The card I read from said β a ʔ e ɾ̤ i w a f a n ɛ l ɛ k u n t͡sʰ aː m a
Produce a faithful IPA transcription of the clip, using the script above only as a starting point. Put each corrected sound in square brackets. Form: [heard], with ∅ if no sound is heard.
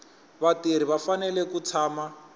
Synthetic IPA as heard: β a [t] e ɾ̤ i [β] a f a n ɛ l ɛ k u [∅] t͡sʰ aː m a